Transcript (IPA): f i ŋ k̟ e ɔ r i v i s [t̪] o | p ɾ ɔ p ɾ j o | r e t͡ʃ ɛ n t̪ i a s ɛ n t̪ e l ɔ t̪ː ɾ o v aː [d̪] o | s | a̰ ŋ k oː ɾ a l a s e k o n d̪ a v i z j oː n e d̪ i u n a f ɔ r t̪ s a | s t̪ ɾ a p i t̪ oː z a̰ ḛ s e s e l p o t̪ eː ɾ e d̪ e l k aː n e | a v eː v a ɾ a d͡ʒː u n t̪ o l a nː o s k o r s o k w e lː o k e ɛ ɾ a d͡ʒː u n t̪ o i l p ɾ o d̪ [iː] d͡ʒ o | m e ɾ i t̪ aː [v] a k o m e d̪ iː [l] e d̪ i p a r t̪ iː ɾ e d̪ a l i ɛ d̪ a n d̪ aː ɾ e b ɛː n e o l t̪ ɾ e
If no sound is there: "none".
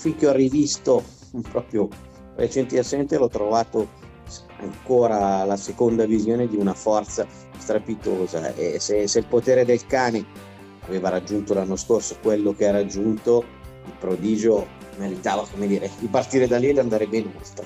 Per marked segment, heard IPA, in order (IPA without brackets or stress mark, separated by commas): t̪, t̪, iː, v, ɾ